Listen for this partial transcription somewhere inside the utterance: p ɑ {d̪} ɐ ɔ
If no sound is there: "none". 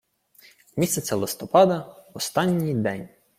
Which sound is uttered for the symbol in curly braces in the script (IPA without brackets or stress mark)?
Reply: d̪